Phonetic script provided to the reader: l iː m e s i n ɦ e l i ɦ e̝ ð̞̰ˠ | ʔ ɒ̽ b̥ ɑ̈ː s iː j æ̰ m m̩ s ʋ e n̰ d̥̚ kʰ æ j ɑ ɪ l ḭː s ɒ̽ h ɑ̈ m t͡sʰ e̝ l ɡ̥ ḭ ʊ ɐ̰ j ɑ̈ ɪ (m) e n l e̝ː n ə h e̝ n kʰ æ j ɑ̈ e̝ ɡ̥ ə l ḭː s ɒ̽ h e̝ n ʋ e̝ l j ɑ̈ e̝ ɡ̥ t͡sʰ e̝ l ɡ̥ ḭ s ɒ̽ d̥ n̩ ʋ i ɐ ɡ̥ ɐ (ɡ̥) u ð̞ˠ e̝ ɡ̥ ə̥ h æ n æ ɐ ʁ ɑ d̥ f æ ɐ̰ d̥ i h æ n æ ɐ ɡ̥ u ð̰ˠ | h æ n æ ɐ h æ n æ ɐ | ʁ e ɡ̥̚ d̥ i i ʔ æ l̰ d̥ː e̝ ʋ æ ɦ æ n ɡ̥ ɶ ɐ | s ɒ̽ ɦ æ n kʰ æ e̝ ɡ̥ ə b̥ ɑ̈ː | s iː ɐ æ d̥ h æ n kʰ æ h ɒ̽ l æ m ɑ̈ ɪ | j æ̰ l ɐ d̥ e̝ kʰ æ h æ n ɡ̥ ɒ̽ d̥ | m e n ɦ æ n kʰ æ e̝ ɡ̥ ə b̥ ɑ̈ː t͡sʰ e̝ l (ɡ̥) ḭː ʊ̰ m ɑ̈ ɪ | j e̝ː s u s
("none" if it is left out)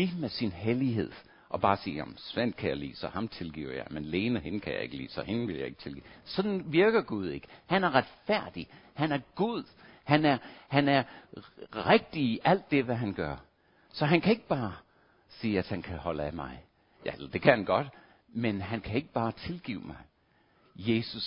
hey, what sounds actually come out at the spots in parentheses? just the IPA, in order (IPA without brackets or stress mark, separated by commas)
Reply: m, ɡ̥, ɡ̥